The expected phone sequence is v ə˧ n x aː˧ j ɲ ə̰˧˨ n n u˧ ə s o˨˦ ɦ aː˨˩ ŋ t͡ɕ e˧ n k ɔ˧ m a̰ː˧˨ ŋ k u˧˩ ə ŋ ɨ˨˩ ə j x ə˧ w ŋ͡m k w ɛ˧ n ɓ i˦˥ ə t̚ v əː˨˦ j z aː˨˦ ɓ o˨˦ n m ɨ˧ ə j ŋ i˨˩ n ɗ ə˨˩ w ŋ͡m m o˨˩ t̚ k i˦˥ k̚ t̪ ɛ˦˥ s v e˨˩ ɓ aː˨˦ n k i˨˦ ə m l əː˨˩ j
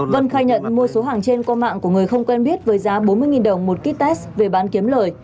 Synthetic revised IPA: v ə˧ n x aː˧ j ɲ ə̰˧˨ n m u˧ ə s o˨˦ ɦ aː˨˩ ŋ t͡ɕ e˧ n k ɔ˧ m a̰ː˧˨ ŋ k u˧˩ ə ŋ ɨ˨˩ ə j x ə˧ w ŋ͡m k w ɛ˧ n ɓ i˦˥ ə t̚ v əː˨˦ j z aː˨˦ ɓ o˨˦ n m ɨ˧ ə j ŋ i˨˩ n ɗ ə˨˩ w ŋ͡m m o˨˩ t̚ k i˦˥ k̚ t̪ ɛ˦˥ s v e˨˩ ɓ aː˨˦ n k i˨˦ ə m l əː˨˩ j